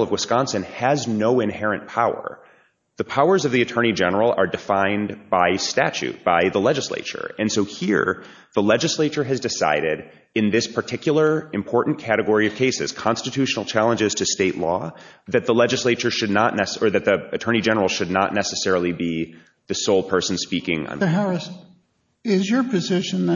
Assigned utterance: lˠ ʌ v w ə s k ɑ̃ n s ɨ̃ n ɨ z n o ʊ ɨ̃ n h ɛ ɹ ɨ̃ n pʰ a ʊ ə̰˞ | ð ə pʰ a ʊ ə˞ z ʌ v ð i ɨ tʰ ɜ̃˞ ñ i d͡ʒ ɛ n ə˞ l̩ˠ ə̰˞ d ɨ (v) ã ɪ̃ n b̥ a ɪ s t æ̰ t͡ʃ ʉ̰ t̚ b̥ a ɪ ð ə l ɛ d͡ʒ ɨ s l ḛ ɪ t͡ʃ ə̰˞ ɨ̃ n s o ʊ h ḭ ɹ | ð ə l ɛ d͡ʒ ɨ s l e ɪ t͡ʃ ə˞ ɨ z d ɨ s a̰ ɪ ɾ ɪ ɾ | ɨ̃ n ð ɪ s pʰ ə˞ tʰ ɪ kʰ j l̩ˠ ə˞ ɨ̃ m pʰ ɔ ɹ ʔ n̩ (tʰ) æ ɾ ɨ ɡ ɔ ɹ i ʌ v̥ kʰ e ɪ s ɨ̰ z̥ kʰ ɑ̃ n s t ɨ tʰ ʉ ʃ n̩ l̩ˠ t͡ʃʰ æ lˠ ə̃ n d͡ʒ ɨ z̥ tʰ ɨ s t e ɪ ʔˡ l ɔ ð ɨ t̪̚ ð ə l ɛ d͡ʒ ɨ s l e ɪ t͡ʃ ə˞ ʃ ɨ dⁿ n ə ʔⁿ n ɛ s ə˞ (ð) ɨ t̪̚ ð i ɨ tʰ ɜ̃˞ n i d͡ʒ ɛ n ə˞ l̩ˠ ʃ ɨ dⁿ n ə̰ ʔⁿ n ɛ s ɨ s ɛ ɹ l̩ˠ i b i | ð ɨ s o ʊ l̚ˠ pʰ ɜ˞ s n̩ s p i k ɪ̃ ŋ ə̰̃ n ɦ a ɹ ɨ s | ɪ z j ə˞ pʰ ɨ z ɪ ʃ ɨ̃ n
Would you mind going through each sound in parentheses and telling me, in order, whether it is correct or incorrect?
incorrect: f, incorrect: kʰ, correct

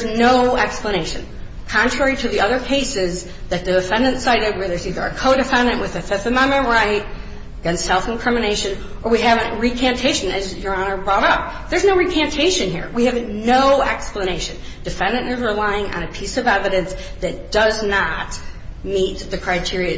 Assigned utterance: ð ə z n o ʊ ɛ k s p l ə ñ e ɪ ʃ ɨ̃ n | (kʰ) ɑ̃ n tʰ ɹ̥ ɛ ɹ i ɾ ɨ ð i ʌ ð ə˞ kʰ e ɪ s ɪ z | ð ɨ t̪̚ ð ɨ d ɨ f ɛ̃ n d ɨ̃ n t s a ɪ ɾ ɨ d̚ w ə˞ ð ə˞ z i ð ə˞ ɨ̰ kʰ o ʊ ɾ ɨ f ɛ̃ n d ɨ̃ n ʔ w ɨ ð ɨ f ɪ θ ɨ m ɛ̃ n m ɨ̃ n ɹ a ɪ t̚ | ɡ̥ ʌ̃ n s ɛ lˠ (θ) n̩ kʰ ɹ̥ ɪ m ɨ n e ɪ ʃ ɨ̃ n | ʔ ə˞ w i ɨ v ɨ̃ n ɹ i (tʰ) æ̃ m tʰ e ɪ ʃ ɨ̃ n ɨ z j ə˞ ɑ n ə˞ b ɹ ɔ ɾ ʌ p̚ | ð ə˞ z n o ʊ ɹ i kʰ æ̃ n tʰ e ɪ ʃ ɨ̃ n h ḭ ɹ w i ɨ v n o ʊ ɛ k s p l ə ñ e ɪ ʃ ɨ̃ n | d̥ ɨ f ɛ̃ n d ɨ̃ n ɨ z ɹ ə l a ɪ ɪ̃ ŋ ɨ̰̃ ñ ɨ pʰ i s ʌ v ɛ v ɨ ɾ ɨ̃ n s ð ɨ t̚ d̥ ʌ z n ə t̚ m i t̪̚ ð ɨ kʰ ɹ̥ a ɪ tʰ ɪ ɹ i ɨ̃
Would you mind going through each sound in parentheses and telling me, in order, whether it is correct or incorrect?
correct, incorrect: f, incorrect: kʰ

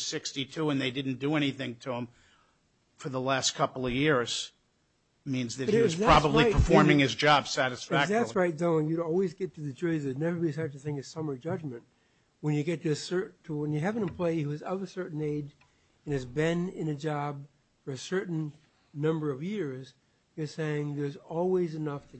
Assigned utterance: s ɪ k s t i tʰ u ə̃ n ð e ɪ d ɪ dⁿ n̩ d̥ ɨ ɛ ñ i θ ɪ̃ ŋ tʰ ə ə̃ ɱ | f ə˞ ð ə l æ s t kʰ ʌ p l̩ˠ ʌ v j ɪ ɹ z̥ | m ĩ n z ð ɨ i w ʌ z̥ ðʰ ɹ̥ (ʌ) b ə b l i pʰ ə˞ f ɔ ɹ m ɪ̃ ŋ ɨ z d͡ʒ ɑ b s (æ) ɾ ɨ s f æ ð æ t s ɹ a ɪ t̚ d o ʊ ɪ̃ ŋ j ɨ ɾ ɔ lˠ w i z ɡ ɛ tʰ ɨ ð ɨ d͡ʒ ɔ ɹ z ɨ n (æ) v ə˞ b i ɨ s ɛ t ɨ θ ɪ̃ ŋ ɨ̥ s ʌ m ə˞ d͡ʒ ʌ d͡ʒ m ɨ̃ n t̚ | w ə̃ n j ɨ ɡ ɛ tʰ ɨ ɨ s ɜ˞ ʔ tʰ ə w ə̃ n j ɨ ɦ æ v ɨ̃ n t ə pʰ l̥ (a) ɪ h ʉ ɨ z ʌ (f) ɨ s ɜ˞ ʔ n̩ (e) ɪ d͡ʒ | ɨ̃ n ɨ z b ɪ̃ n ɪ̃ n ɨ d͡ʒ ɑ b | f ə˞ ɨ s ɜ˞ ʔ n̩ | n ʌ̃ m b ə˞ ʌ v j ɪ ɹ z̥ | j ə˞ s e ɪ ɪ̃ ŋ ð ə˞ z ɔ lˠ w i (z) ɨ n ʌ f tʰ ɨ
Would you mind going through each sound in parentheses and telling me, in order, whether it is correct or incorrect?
incorrect: ɑ, correct, incorrect: ɛ, incorrect: e, incorrect: v, correct, correct

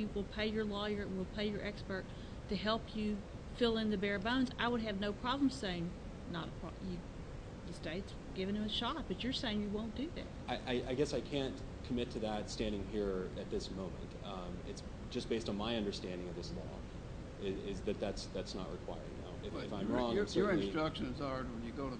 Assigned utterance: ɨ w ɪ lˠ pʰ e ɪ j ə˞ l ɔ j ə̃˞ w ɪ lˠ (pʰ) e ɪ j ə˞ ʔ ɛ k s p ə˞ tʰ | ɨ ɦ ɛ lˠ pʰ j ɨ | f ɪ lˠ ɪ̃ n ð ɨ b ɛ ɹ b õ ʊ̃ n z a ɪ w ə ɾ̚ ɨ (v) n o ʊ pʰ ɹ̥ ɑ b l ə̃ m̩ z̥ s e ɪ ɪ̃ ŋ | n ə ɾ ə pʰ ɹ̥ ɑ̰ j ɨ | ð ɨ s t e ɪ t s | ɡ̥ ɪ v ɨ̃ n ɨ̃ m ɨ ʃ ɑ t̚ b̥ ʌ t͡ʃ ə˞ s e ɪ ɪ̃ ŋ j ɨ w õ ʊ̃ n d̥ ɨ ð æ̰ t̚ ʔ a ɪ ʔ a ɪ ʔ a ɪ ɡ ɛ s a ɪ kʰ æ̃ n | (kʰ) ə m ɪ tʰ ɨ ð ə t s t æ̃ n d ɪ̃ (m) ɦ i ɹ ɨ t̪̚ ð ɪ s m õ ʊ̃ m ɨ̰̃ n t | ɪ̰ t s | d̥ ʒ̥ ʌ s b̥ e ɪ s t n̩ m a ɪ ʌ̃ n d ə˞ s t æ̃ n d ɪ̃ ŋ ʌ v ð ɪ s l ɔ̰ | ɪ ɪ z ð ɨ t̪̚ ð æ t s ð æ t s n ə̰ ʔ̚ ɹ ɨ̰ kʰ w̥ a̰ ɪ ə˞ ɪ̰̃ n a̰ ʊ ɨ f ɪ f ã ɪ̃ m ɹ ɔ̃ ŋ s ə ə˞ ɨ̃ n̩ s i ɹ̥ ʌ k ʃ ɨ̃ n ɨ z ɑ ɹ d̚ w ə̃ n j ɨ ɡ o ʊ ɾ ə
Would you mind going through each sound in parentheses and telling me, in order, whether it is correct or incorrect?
correct, correct, correct, incorrect: ŋ

